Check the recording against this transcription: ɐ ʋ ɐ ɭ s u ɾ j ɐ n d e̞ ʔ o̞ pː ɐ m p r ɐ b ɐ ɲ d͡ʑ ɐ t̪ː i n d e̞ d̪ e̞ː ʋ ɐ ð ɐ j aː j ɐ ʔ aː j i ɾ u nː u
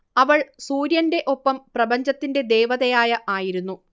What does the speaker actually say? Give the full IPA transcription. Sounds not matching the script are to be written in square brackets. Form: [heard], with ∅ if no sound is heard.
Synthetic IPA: ɐ ʋ ɐ ɭ s [uː] ɾ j ɐ n d e̞ ʔ o̞ pː ɐ m p r ɐ b ɐ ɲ d͡ʑ ɐ t̪ː i n d e̞ d̪ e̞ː ʋ ɐ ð ɐ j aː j ɐ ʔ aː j i ɾ u nː u

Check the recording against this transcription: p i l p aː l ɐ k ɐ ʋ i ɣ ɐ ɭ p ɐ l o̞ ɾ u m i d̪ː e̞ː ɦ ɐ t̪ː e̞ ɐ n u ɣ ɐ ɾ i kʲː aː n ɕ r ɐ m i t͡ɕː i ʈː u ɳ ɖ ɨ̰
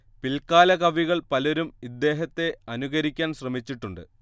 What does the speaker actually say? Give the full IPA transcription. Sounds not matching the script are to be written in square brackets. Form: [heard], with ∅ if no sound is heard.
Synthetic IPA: p i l [k] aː l ɐ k ɐ ʋ i ɣ ɐ ɭ p ɐ l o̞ ɾ u m i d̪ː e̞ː ɦ ɐ t̪ː e̞ ɐ n u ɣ ɐ ɾ i kʲː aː n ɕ r ɐ m i t͡ɕː i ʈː u ɳ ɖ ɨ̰

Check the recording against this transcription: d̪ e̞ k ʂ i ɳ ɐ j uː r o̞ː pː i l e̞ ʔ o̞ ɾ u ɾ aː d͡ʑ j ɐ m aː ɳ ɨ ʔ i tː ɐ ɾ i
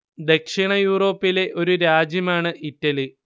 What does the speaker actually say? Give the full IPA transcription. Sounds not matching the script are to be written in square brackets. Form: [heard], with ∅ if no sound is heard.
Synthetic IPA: d̪ e̞ k ʂ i ɳ ɐ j uː r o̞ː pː i l e̞ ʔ o̞ ɾ u ɾ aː d͡ʑ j ɐ m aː ɳ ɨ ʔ i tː ɐ [l] i

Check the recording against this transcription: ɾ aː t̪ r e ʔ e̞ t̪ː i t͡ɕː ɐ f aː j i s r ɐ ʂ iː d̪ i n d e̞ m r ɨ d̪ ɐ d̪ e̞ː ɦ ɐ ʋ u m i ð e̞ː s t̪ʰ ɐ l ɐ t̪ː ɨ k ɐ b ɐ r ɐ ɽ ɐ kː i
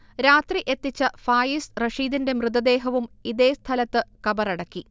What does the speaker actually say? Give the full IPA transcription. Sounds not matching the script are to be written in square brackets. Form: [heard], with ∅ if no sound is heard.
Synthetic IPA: ɾ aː t̪ r [i] ʔ e̞ t̪ː i t͡ɕː ɐ f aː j i s r ɐ ʂ iː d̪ i n d e̞ m r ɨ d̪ ɐ d̪ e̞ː ɦ ɐ ʋ u m i ð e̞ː s t̪ʰ ɐ l ɐ t̪ː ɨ k ɐ b ɐ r ɐ ɽ ɐ kː i

